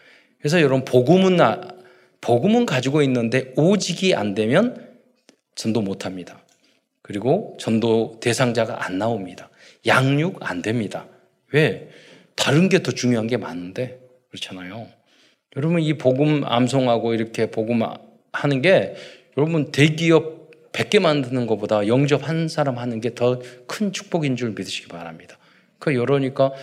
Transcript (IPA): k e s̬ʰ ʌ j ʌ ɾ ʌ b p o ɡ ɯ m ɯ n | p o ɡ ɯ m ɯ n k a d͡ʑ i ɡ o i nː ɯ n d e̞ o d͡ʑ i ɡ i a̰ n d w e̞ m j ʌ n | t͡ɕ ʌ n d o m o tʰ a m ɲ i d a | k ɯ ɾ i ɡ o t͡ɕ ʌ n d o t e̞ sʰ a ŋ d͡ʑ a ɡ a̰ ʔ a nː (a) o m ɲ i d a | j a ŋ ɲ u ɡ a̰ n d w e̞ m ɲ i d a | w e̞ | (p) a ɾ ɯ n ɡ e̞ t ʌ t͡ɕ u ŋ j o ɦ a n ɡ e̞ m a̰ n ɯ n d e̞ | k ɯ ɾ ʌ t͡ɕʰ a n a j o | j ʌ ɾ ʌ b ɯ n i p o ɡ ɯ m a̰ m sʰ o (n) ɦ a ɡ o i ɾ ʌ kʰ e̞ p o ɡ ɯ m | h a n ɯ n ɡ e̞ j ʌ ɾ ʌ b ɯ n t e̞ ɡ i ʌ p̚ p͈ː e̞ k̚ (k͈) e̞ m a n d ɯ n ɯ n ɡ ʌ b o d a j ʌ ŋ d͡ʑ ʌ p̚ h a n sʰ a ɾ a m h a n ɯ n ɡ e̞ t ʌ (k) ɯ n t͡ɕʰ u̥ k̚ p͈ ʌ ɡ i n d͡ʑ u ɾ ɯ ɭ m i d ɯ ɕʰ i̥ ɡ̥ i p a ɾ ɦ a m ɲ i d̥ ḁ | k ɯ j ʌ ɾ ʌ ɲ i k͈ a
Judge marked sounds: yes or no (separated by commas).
yes, no, no, yes, no